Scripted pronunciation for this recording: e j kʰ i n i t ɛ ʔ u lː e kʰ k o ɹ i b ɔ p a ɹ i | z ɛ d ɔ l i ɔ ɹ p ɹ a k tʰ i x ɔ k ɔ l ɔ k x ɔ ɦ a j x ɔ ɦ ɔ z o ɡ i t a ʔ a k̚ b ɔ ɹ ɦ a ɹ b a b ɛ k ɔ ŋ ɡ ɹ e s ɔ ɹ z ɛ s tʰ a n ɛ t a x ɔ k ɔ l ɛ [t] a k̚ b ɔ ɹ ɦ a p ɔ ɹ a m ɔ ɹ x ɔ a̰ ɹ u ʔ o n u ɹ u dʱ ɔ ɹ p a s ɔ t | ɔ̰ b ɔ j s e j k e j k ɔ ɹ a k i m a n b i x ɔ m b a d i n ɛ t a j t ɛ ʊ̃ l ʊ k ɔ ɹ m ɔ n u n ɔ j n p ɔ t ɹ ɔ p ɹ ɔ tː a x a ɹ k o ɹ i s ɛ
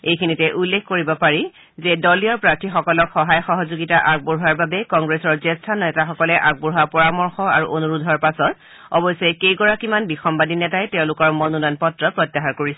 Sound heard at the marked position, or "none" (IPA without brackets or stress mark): ʔ